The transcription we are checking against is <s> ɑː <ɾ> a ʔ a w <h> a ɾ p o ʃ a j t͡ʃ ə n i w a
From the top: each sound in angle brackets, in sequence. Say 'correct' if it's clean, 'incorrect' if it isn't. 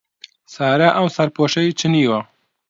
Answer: correct, correct, incorrect: s

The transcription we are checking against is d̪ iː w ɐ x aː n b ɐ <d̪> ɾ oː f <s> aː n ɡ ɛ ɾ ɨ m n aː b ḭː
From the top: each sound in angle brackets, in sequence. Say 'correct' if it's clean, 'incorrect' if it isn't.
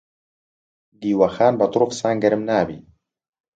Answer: incorrect: t̪, correct

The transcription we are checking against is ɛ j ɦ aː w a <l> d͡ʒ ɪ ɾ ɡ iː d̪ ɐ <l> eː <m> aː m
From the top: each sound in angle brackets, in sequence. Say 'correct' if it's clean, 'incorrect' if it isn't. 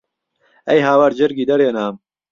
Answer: incorrect: ɾ, incorrect: ɾ, incorrect: n

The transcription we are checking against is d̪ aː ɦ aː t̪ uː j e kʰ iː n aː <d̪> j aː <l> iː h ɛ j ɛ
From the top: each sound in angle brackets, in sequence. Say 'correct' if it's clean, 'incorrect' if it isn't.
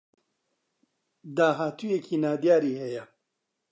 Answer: correct, incorrect: ɾ

